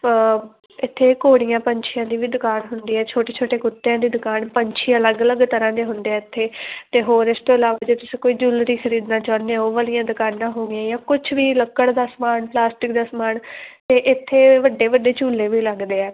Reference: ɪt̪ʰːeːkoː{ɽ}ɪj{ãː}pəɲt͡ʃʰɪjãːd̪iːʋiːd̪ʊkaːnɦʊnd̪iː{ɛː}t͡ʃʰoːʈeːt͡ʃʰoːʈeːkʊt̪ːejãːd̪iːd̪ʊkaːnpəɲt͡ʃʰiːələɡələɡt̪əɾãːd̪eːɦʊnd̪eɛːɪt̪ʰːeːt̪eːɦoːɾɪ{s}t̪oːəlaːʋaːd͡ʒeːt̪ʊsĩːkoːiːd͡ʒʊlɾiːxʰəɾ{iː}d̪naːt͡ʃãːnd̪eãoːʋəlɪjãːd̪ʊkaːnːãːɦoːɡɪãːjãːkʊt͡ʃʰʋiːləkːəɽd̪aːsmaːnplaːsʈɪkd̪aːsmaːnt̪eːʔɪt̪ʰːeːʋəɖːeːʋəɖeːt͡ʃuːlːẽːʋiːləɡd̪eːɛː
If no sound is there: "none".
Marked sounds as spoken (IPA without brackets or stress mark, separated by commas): ɽ, ãː, ɛː, s, iː